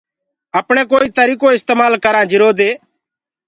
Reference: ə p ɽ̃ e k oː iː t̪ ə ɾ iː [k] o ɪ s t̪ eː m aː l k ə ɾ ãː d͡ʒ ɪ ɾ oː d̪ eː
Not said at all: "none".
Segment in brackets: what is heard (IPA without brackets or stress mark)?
k